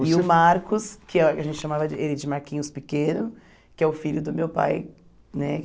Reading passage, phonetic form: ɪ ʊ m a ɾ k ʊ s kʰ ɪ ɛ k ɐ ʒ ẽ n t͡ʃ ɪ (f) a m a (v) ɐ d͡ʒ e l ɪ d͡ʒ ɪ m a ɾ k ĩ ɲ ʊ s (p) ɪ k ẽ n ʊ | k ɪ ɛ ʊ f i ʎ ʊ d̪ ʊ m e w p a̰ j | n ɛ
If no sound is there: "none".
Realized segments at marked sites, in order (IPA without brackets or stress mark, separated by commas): ʃ, v, p